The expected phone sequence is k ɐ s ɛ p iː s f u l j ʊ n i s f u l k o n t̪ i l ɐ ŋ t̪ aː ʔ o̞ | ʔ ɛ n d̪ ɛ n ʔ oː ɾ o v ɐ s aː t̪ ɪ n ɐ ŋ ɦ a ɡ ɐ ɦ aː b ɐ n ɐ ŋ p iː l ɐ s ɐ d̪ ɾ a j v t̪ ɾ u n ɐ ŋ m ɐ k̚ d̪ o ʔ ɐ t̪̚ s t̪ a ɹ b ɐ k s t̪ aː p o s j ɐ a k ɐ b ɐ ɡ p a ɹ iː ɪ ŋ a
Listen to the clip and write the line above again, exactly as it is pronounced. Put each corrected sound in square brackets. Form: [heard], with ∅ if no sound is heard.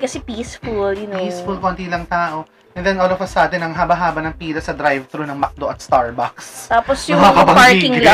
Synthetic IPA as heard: k ɐ s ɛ p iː s f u l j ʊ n i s f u l k o n t̪ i l ɐ ŋ t̪ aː ʔ o̞ | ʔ ɛ n d̪ ɛ n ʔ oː [l] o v ɐ s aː t̪ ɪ n ɐ ŋ ɦ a [b] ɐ ɦ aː b ɐ n ɐ ŋ p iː l ɐ s ɐ d̪ ɾ a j v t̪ ɾ u n ɐ ŋ m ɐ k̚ d̪ o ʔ ɐ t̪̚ s t̪ a ɹ b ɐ k s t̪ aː p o s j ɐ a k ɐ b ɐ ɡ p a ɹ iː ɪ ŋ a